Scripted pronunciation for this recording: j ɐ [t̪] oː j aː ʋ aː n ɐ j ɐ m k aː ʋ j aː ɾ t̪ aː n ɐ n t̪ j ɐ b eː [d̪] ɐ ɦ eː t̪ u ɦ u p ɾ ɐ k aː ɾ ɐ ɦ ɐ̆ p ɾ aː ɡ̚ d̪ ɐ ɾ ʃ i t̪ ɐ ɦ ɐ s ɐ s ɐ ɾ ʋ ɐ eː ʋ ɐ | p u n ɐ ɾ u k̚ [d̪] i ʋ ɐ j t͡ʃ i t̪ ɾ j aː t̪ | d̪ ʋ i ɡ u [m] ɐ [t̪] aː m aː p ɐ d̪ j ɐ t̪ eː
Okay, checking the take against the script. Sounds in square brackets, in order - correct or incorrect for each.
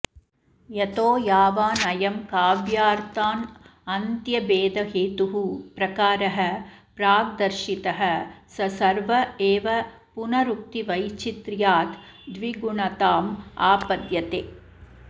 correct, correct, incorrect: t̪, incorrect: ɳ, correct

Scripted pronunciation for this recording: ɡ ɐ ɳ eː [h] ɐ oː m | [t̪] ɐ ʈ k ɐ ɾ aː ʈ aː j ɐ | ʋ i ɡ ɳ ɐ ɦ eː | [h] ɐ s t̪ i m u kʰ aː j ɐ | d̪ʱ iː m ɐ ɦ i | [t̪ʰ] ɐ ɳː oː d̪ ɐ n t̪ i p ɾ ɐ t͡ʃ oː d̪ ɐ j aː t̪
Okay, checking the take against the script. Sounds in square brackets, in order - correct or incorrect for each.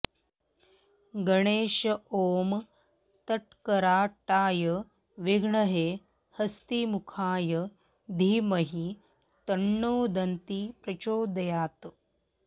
incorrect: ʃ, correct, correct, incorrect: t̪

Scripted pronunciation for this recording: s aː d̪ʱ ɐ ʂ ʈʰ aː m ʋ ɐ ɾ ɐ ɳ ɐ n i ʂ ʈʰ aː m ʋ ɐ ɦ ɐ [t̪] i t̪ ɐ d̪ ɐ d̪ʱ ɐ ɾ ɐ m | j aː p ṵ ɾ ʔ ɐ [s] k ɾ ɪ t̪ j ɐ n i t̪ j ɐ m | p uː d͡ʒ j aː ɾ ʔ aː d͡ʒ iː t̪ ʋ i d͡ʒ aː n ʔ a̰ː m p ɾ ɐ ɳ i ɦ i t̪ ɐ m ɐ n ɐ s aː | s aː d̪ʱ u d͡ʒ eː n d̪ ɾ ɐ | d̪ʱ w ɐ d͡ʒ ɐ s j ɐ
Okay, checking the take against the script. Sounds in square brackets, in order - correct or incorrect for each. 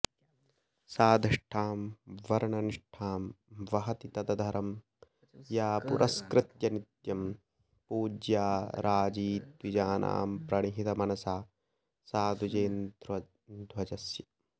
correct, correct

